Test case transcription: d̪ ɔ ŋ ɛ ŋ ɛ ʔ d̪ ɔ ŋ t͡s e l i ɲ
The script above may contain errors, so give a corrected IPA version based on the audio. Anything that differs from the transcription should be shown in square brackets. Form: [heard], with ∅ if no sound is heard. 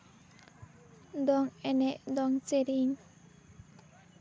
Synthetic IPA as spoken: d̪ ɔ ŋ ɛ [n] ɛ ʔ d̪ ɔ ŋ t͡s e [ɾ] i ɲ

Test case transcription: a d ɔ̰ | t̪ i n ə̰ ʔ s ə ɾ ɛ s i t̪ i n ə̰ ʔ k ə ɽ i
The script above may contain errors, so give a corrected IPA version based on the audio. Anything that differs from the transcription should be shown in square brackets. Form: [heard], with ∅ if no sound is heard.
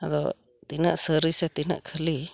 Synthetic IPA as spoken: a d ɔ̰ | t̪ i n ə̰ ʔ s ə ɾ [i] s [ɛ] t̪ i n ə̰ ʔ [kʰ] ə [l] i

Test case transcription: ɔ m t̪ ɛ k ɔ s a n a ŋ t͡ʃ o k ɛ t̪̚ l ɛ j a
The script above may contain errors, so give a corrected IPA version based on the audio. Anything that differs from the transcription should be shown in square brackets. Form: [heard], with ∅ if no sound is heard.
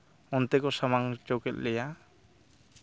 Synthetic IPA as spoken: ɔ [n] t̪ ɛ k ɔ s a [m] a ŋ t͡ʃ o k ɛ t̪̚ l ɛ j a

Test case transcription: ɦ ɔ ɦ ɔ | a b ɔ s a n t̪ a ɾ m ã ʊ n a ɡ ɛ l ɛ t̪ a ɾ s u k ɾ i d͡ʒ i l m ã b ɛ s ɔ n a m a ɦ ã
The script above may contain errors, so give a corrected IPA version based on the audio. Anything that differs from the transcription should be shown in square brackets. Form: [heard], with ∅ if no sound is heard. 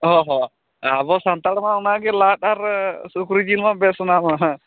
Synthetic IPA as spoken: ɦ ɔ ɦ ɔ | a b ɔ s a n t̪ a [ɽ] m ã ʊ n a ɡ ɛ l [a] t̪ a ɾ s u k ɾ i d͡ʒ i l m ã b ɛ s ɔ n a m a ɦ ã

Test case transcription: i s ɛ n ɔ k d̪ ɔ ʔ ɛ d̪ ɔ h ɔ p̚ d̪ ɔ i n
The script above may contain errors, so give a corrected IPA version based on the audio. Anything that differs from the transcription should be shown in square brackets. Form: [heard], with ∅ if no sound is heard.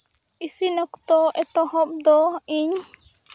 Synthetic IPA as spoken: i s [i] n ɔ k [t̪] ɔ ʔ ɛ [t̪] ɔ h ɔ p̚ d̪ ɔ i [ɲ]

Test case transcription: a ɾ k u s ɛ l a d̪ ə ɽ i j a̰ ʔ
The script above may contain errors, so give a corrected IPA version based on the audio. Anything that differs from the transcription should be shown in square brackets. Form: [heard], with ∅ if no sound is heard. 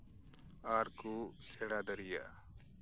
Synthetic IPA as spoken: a ɾ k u s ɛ [ɽ] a d̪ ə [ɾ] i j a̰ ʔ

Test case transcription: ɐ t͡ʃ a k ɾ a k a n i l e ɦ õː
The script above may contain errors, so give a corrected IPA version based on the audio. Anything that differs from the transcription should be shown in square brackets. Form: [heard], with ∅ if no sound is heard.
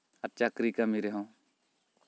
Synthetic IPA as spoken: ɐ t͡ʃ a k ɾ [i] k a [m] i [ɾ] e ɦ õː

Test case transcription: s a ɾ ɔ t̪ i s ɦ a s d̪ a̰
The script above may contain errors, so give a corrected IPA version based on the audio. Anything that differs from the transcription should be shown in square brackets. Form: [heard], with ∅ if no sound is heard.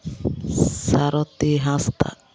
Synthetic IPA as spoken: s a ɾ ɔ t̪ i [∅] ɦ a s [t̪] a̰

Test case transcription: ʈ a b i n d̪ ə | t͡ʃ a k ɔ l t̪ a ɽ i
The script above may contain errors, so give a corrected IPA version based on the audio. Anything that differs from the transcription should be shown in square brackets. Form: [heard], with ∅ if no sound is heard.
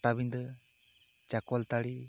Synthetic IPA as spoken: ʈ a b i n d̪ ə | t͡ʃ a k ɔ l t̪ a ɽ i

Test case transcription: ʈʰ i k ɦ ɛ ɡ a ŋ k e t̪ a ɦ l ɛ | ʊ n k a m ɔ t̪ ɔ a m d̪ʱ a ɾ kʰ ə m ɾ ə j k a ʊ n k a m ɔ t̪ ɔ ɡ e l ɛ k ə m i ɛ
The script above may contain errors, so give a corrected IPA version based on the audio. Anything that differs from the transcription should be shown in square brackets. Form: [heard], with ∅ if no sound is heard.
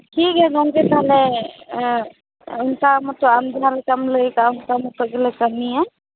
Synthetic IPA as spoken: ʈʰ i k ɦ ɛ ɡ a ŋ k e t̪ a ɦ l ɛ | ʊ n k a m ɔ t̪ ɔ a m d̪ʱ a ɾ [k] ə m [l] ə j k a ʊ n k a m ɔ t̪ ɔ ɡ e l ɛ k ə m i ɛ

